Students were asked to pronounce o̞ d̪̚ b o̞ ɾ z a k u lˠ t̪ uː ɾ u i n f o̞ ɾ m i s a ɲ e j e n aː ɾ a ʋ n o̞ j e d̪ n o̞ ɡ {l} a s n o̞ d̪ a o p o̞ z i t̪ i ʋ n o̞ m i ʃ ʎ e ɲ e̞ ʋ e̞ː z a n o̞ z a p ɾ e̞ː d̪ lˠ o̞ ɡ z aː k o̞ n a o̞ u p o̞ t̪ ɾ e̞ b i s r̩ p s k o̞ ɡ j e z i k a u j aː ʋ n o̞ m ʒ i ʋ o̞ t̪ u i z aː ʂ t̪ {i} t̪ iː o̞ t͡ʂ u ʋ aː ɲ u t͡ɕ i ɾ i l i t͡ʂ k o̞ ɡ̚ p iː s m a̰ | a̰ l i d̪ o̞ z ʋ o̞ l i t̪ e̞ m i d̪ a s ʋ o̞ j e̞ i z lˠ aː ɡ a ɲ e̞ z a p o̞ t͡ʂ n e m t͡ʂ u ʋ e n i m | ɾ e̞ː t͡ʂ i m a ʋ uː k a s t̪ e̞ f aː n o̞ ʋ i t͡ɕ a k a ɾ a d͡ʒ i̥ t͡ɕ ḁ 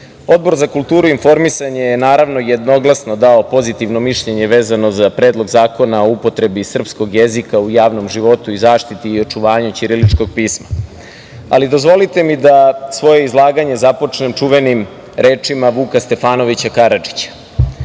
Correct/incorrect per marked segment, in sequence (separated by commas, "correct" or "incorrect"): correct, correct